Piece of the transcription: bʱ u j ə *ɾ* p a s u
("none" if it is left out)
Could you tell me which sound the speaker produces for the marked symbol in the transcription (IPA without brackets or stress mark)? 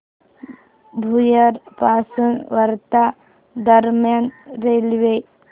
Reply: ɾ